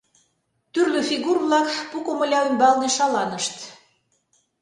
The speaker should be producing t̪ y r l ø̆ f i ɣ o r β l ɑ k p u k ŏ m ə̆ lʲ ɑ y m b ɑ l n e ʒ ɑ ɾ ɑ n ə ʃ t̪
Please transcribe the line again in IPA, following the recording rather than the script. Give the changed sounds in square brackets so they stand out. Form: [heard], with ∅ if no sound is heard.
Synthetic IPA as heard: t̪ y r l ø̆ f i ɣ [u] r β l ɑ k p u k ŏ m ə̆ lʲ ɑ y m b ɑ l n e [ʃ] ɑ [l] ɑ n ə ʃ t̪